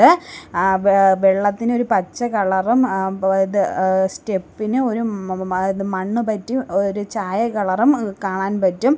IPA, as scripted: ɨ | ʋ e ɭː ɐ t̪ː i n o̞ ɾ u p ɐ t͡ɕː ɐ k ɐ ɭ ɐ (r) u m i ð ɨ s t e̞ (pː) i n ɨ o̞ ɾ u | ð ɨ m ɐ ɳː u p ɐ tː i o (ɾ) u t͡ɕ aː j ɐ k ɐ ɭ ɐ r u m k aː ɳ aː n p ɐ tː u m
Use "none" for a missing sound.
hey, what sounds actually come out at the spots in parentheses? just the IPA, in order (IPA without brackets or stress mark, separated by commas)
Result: r, pː, ɾ